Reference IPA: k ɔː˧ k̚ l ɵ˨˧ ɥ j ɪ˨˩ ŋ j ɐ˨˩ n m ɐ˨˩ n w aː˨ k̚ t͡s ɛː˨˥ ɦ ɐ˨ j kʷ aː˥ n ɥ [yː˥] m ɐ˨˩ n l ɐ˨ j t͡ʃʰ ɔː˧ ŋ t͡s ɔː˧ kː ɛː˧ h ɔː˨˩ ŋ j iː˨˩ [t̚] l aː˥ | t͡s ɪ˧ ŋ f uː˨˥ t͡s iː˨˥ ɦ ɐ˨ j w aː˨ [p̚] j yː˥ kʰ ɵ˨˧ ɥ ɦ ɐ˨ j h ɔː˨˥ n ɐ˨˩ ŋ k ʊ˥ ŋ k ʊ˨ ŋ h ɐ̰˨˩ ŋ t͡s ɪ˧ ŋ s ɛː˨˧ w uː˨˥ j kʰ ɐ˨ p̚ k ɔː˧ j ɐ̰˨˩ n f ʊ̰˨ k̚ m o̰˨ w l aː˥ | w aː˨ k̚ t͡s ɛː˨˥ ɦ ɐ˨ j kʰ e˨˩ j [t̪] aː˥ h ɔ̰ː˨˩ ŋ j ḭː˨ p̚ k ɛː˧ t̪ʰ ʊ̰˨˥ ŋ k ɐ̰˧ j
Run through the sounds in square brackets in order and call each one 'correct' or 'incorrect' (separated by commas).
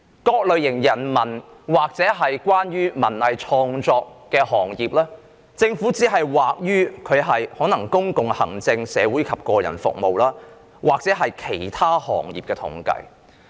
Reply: correct, incorrect, incorrect, incorrect